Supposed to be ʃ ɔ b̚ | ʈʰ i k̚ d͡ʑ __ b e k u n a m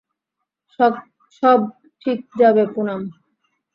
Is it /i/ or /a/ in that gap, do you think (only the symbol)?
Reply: a